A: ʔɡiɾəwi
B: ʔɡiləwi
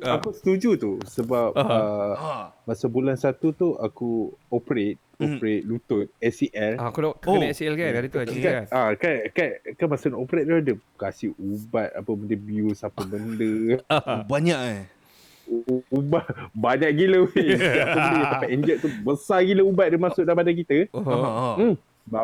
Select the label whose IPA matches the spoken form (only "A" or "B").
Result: B